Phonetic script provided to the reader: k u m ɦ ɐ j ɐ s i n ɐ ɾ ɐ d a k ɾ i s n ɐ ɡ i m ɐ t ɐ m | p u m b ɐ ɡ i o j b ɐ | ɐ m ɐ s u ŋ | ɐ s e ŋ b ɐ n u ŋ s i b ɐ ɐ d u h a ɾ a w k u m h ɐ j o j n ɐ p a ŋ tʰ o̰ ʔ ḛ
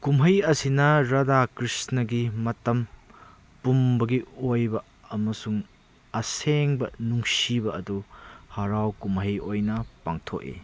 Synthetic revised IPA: k u m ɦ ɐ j ɐ s i n ɐ ɾ ɐ d a k ɾ i s n ɐ ɡ i m ɐ t ɐ m | p u m b ɐ ɡ i o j b ɐ | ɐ m ɐ s u ŋ | ɐ s e ŋ b ɐ n u ŋ s i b ɐ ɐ d u h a ɾ a w k u m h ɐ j o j n ɐ p a ŋ tʰ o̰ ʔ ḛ